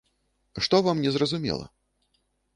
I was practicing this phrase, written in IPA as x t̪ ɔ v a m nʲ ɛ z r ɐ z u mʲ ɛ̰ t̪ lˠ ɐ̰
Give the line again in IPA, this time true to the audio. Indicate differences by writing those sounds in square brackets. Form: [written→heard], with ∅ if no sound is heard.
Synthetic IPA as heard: [x→ʂ] t̪ ɔ v a m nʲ ɛ z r ɐ z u mʲ ɛ̰ [t̪→∅] lˠ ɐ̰